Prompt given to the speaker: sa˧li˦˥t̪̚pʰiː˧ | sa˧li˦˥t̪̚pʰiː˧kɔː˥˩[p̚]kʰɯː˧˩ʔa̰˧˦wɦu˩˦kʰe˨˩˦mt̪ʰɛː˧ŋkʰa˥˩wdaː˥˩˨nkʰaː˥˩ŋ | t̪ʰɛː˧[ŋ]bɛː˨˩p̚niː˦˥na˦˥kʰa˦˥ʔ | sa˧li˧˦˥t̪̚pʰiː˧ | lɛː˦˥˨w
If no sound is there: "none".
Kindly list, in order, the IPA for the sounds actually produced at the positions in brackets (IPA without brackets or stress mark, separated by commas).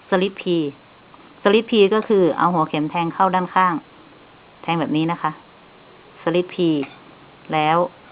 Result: none, ŋ